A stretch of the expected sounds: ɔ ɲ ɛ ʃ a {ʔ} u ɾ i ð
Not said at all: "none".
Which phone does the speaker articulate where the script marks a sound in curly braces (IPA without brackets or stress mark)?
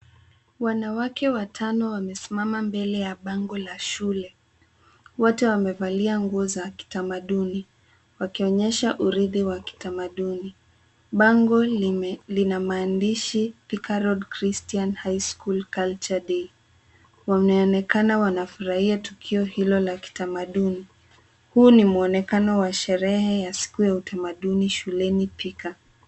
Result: ʔ